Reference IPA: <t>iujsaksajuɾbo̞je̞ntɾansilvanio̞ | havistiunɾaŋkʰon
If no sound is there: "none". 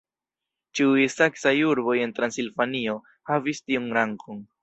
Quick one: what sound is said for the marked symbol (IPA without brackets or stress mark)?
t͡ʃ